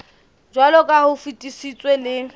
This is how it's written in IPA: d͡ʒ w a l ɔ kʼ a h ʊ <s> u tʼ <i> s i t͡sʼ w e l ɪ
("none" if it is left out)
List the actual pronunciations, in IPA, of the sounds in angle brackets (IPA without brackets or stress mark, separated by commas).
f, i